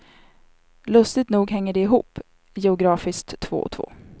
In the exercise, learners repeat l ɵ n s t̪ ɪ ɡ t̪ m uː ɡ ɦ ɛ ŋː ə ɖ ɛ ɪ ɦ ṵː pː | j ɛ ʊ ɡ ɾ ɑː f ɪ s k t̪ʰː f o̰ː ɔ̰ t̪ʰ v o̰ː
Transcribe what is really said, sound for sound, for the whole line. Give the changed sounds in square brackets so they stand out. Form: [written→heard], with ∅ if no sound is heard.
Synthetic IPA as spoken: l ɵ [n→∅] s t̪ ɪ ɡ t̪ [m→n] uː ɡ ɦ ɛ ŋː ə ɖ ɛ ɪ ɦ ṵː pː | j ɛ ʊ ɡ ɾ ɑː f ɪ s k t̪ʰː [f→v] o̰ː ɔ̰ t̪ʰ v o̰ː